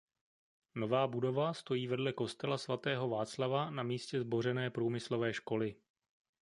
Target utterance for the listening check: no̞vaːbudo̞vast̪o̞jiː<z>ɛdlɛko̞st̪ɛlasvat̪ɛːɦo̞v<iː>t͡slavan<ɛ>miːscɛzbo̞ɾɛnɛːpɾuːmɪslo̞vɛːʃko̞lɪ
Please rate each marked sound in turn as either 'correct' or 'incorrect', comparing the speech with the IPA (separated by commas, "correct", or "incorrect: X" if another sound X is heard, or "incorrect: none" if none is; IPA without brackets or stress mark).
incorrect: v, incorrect: aː, incorrect: a